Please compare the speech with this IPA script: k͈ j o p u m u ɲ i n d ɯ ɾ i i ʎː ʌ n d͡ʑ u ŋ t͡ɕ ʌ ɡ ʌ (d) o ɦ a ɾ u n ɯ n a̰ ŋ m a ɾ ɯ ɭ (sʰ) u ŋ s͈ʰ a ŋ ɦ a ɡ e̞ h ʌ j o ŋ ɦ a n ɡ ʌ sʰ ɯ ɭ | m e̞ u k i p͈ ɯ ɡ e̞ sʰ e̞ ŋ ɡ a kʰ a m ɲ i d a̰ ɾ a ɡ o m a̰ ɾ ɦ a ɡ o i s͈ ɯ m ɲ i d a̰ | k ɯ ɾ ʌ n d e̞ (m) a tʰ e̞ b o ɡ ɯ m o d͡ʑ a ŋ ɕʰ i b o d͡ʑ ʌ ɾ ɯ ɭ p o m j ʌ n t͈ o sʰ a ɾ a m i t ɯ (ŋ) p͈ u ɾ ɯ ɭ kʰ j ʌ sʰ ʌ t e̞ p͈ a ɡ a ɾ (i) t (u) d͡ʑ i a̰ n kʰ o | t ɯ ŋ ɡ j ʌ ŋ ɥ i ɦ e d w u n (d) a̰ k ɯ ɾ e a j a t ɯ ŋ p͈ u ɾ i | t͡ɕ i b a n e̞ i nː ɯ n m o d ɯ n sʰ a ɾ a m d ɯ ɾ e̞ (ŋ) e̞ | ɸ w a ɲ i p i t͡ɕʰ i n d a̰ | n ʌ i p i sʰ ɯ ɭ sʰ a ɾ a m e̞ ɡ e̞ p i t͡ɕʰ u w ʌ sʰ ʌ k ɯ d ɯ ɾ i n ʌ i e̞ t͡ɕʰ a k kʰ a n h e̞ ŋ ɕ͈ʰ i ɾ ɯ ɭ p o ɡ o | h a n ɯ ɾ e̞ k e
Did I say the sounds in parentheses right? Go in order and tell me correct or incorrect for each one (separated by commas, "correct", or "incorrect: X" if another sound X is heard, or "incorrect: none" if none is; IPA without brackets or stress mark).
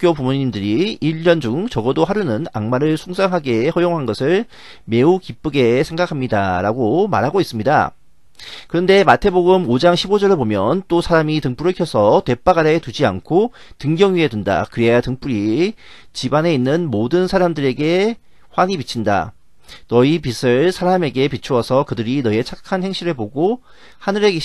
correct, correct, correct, correct, incorrect: e, correct, correct, incorrect: ɡ